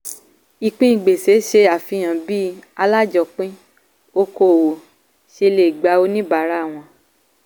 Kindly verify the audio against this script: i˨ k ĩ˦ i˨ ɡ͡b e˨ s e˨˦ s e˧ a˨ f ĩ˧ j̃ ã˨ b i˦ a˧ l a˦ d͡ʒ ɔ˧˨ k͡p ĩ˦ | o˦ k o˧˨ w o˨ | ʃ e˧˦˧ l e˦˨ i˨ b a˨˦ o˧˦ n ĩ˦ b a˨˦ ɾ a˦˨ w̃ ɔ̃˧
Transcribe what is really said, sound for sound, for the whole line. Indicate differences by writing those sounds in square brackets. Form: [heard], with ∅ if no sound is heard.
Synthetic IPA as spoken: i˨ [k͡p] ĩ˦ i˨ ɡ͡b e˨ s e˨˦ [ʃ] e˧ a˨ f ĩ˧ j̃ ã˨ b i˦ a˧ l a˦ d͡ʒ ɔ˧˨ k͡p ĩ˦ | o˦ k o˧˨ w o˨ | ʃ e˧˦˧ l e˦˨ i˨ [ɡ͡b] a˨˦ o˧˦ n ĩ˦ b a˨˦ ɾ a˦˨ w̃ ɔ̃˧

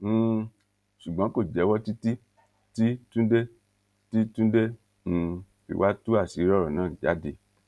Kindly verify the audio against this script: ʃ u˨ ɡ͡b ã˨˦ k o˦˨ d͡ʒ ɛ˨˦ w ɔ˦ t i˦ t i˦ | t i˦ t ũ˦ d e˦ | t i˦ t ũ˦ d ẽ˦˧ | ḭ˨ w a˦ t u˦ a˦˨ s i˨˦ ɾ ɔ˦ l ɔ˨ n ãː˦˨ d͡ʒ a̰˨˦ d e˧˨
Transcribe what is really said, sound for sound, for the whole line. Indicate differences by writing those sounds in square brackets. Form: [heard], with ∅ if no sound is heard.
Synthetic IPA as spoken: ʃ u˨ ɡ͡b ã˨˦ k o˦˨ d͡ʒ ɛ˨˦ w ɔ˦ t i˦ t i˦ | t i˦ t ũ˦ d e˦ | t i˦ t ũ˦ d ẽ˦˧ | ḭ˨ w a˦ t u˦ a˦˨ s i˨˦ ɾ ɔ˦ [ɾ] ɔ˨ n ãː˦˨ d͡ʒ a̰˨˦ d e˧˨

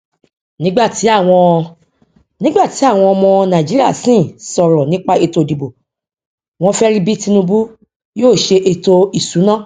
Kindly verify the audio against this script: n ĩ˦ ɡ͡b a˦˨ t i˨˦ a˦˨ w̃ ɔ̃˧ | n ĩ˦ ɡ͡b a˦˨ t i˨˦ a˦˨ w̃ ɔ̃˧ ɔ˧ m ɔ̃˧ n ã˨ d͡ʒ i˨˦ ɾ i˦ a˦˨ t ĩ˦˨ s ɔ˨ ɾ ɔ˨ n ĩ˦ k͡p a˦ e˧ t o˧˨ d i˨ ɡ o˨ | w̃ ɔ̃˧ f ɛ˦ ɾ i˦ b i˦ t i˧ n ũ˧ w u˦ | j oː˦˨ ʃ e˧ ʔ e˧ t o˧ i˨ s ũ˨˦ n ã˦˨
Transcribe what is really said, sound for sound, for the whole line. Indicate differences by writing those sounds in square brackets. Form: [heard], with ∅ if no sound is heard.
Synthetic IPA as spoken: n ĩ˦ ɡ͡b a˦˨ t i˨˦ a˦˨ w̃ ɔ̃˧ | n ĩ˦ ɡ͡b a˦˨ t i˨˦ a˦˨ w̃ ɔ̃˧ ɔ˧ m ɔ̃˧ n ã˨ d͡ʒ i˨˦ ɾ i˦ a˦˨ [s] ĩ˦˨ s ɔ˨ ɾ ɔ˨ n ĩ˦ k͡p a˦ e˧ t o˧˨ d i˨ [b] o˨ | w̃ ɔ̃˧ f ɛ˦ ɾ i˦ b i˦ t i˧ n ũ˧ [b] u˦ | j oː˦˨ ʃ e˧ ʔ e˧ t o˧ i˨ s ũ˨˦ n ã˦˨

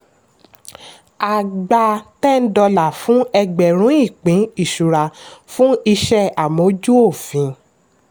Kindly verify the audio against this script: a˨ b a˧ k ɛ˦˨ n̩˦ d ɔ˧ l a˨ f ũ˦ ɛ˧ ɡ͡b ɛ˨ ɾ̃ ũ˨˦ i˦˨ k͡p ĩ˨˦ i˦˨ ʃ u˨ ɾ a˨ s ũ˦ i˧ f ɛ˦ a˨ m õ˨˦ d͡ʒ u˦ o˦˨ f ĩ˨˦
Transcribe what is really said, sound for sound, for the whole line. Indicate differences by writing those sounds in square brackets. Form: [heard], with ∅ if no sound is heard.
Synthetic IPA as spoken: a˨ [ɡ͡b] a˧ [t] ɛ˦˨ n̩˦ d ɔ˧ l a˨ f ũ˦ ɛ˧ ɡ͡b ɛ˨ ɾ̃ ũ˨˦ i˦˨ k͡p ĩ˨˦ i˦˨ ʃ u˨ ɾ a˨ [f] ũ˦ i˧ [ʃ] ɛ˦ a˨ m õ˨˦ d͡ʒ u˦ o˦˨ f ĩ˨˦

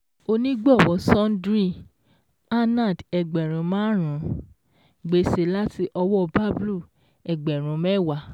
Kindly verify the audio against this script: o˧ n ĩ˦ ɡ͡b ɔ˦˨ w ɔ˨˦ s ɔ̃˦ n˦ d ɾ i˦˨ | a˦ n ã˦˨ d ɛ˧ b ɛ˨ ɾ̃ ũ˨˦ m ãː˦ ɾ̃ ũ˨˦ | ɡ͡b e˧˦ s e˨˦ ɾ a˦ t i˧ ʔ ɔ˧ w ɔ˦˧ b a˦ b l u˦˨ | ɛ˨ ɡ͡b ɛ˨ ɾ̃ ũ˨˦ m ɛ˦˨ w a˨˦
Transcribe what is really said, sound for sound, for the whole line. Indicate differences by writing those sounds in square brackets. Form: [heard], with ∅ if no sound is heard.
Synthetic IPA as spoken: o˧ n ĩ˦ ɡ͡b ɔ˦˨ w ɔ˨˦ s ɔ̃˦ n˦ d ɾ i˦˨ | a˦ n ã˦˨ d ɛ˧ [ɡ͡b] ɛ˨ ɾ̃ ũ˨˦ m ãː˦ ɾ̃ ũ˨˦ | ɡ͡b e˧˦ s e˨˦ [l] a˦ t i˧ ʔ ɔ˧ w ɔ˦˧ b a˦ b l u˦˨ | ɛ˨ ɡ͡b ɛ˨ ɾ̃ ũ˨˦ m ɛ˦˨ w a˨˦

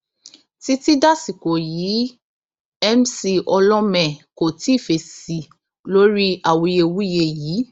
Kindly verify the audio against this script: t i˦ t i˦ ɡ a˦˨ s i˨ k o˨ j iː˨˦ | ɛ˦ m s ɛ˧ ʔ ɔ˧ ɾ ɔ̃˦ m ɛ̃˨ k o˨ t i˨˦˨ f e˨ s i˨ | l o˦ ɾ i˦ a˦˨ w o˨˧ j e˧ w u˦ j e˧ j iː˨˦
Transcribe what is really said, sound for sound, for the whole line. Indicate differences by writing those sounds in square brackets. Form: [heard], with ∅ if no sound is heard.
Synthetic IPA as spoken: t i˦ t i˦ [d] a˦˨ s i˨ k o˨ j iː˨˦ | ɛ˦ m s [i˧] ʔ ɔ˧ [l] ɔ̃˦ m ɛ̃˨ k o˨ t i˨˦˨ f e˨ s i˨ | l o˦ ɾ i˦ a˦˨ w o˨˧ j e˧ w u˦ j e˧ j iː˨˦

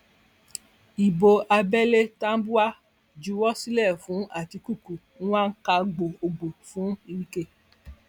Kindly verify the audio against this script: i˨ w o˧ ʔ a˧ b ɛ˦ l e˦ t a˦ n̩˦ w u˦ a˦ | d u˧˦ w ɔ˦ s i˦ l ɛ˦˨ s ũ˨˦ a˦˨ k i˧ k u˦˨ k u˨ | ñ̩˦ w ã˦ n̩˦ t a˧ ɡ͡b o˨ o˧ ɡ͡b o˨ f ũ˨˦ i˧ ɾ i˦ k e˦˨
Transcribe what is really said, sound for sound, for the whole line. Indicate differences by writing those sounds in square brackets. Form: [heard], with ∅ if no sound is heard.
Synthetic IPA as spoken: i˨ [b] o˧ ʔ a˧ b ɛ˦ l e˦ t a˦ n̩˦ [b] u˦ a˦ | [d͡ʒ] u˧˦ w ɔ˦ s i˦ l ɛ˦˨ [f] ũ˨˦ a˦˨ [t] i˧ k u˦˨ k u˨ | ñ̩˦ w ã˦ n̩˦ [k] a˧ ɡ͡b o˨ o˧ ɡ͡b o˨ f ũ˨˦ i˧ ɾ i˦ k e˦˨

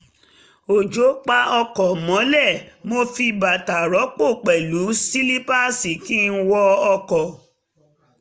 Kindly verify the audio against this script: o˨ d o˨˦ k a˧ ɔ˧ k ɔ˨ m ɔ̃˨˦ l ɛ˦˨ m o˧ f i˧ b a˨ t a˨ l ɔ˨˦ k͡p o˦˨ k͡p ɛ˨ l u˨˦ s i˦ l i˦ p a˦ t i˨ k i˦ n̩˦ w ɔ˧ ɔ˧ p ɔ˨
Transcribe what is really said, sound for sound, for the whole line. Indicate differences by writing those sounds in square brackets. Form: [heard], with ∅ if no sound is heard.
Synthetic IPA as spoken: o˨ [d͡ʒ] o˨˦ [k͡p] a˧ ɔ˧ k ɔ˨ m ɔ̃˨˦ l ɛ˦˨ m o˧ f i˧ b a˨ t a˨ [ɾ] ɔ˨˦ k͡p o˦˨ k͡p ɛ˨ l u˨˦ s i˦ l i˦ p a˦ [s] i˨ k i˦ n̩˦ w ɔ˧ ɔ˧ [k] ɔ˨

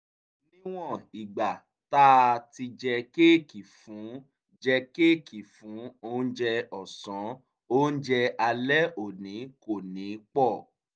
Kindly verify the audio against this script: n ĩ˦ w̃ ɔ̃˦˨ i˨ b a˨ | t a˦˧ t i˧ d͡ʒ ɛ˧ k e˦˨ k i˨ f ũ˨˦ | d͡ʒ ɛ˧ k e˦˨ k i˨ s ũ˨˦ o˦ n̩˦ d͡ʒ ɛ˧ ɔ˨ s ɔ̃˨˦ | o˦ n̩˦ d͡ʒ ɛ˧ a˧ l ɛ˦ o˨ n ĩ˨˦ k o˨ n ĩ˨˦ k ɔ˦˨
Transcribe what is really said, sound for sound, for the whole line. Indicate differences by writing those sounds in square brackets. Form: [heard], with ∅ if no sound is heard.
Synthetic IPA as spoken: n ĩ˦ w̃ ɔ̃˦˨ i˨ [ɡ͡b] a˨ | t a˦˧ t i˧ d͡ʒ ɛ˧ k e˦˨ k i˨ f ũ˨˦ | d͡ʒ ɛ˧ k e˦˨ k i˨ [f] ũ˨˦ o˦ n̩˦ d͡ʒ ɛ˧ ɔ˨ s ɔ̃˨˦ | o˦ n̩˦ d͡ʒ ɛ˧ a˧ l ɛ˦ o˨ n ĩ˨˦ k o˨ n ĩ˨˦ [k͡p] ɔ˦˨

